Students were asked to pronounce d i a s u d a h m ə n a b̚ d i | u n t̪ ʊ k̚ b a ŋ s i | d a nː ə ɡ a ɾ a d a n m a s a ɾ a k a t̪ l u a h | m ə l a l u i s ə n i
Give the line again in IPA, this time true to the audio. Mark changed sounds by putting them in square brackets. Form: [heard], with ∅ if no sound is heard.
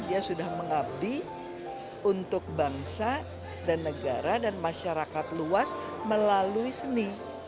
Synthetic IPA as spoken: d i a s u d a h m ə [ŋ] a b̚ d i | u n t̪ ʊ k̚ b a ŋ s [a] | d a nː ə ɡ a ɾ a d a n m a [ʃ] a ɾ a k a t̪ l u a [s] | m ə l a l u i s ə n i